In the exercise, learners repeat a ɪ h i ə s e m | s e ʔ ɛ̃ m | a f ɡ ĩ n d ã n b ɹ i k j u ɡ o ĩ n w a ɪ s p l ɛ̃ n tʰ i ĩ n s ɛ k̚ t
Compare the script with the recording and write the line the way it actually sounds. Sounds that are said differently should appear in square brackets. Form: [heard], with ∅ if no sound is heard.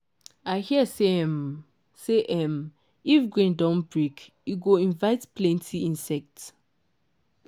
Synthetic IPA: a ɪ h i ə s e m | s e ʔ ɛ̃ m | [i] f ɡ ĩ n d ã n b ɹ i k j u ɡ o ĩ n [v] a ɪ [t] p l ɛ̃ n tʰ i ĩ n s ɛ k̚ t